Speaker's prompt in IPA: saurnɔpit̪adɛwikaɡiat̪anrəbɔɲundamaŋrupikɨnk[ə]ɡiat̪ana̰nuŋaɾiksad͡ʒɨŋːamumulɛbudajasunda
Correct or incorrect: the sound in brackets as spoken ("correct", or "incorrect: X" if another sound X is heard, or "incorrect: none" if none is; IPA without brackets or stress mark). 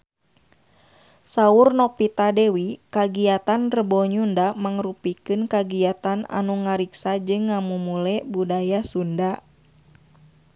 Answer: incorrect: a